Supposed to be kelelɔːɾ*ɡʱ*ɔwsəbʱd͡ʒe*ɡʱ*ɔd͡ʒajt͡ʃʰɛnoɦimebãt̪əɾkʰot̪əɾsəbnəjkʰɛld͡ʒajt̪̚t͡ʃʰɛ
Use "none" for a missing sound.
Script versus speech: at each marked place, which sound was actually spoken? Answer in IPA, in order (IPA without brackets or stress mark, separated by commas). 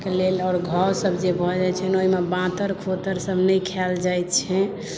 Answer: ɡʱ, bʱ